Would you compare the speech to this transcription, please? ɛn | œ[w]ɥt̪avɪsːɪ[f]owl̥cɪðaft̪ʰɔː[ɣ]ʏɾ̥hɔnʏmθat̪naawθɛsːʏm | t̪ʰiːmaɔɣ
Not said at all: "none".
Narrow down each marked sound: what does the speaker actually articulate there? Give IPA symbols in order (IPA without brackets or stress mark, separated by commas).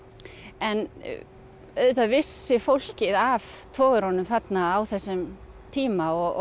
none, f, ɣ